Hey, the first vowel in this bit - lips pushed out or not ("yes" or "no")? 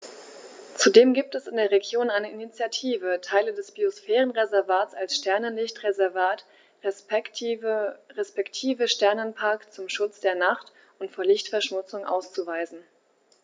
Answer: yes